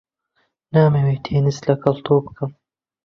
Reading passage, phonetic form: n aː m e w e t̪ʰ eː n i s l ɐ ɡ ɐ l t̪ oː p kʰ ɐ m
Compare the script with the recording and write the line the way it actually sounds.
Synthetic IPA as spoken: n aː m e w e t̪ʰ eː n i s l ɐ k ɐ l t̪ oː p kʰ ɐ m

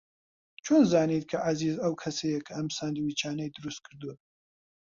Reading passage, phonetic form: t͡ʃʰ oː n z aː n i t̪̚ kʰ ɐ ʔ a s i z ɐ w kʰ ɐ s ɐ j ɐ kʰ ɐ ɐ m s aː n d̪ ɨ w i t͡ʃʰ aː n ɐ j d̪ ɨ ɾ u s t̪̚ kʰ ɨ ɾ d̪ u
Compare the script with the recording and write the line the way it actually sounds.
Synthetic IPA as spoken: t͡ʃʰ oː n z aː n i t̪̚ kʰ ɐ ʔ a z i z ɐ w kʰ ɐ s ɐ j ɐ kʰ ɐ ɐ m s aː n d̪ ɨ w i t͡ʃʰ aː n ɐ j d̪ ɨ ɾ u s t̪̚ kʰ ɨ ɾ d̪ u

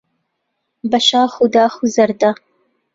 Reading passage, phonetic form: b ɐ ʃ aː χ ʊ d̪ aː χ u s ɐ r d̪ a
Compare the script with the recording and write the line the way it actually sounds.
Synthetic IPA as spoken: b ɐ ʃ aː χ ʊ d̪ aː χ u z ɐ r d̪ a

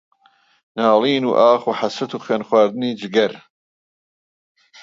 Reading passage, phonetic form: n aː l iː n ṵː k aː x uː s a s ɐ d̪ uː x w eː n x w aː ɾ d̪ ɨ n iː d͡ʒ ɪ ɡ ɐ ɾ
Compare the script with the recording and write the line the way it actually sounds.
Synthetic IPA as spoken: n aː l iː n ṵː ʔ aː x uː ħ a s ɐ t̪ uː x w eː n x w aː ɾ d̪ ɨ n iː d͡ʒ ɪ ɡ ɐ ɾ

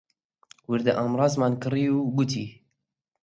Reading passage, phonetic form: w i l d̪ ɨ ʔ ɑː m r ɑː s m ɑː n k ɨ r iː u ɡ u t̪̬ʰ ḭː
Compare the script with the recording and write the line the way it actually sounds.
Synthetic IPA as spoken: w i ɾ d̪ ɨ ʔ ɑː m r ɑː z m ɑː n k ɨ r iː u ɡ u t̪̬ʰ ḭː

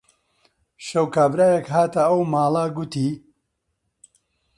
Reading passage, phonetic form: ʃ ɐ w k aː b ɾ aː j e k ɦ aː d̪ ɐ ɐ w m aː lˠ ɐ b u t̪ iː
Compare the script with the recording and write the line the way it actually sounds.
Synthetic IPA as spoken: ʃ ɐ w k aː b ɾ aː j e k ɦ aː t̪ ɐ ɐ w m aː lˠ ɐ ɡ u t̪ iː

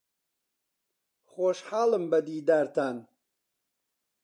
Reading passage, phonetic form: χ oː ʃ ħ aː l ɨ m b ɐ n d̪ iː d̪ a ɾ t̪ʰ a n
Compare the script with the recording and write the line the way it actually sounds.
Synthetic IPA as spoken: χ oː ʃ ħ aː l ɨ m b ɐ d̪ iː d̪ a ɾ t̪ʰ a n

